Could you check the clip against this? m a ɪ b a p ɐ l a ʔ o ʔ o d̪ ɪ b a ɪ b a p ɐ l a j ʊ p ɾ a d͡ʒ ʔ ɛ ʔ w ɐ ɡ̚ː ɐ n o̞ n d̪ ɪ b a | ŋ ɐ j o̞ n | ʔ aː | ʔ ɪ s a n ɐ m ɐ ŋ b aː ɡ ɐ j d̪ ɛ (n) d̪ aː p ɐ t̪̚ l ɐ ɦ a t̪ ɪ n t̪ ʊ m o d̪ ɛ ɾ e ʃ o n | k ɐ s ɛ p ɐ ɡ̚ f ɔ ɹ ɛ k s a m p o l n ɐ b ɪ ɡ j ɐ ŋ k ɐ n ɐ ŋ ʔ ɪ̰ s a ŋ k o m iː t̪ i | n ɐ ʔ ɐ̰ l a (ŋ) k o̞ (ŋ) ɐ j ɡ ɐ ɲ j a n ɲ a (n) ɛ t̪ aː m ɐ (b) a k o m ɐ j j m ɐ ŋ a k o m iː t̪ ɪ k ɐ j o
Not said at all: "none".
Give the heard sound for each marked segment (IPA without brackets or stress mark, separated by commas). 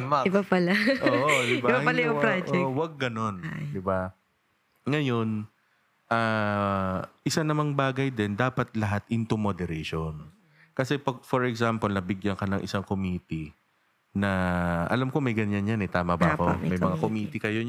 n, m, m, n, b